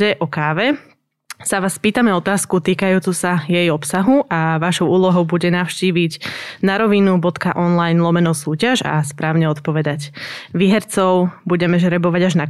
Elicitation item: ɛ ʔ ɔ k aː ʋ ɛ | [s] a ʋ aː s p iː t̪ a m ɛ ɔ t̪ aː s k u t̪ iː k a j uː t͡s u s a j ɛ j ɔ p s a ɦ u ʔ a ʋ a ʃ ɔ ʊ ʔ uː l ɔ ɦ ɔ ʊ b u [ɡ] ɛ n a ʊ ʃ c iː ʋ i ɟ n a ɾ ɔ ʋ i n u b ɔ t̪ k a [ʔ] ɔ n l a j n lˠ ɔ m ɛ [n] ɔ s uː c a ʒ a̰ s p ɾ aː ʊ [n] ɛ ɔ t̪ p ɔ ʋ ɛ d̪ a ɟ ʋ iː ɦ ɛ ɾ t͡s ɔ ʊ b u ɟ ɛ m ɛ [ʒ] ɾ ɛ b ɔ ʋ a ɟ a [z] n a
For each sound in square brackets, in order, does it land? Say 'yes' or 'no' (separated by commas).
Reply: yes, no, yes, yes, no, yes, no